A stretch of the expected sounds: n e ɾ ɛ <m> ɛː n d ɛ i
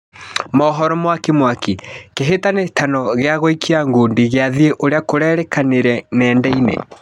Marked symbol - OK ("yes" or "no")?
no